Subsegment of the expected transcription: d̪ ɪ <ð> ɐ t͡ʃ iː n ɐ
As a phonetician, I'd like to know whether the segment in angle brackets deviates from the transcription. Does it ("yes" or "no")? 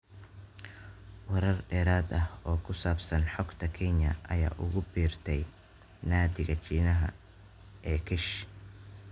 yes